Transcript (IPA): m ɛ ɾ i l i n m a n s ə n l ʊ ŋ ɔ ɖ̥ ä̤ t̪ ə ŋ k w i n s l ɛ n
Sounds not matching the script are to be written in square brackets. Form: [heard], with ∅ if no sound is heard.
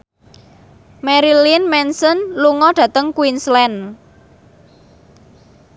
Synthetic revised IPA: m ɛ ɾ i l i n m [ɛ] n s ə n l [u] ŋ ɔ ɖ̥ ä̤ t̪ ə ŋ k w i n s l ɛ n